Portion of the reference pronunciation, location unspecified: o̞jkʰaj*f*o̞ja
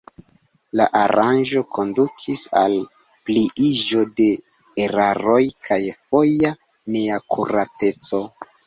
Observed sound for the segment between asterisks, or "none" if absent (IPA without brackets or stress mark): f